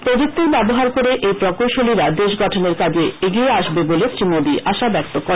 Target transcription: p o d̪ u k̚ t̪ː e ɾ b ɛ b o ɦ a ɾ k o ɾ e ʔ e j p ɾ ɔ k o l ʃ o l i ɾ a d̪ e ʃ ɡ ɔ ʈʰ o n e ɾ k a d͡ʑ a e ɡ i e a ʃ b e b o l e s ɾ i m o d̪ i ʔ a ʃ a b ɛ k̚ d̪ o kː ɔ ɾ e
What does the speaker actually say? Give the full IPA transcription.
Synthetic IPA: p o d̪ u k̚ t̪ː e ɾ b ɛ b o ɦ a ɾ k o ɾ e ʔ e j p ɾ ɔ k o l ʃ o l i ɾ a d̪ e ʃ ɡ ɔ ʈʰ o n e ɾ k a d͡ʑ e e ɡ i e a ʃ b e b o l e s ɾ i m o d̪ i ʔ a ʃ a b ɛ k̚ t̪ o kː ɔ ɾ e